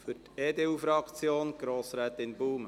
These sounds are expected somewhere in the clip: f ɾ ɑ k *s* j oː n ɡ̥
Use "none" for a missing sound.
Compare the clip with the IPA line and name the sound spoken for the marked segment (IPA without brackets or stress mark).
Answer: t͡s